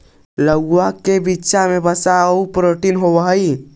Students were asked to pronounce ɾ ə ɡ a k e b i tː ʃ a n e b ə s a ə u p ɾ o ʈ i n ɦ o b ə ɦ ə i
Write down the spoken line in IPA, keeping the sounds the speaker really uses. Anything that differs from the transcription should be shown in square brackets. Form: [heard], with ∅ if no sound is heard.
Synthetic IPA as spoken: [l] ə ɡ a k e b i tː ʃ a [m] e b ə s a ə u p ɾ o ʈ i n ɦ o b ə ɦ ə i